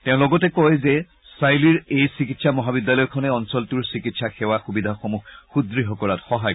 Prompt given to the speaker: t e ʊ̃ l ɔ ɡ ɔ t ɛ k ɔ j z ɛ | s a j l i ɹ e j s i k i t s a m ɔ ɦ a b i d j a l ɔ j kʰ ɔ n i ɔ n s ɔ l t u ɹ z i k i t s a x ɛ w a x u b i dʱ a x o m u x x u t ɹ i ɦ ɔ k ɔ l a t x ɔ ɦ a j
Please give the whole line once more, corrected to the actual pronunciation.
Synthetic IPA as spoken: t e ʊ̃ l ɔ ɡ ɔ t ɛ k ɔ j z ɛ | s a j l i ɹ e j s i k i t s a m ɔ ɦ a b i d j a l ɔ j kʰ ɔ n ɛ ɔ n s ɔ l t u ɹ s i k i t s a x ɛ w a x u b i dʱ a x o m u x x u d ɹ i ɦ ɔ k ɔ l a t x ɔ ɦ a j